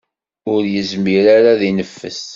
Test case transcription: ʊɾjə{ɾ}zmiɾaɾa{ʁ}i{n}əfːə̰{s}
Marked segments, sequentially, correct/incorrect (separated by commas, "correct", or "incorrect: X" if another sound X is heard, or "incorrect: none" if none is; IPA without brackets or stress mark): incorrect: none, incorrect: ð, correct, correct